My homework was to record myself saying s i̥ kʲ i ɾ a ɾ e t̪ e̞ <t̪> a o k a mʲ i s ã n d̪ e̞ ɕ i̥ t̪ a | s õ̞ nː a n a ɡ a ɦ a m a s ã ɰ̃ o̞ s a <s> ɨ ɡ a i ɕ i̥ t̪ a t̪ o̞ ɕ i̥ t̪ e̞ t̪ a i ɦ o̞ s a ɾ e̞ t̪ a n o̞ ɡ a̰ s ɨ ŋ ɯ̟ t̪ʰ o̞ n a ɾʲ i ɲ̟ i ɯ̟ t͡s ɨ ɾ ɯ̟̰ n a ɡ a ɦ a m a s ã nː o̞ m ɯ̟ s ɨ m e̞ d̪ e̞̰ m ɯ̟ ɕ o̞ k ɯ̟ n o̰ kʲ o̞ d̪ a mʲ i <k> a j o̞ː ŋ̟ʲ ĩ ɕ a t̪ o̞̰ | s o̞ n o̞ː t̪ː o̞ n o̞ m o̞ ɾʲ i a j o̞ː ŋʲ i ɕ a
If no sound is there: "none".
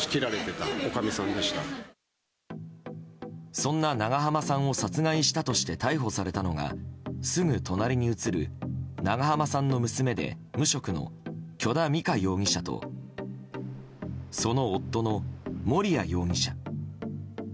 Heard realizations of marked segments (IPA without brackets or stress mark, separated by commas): t̪, t͡s, k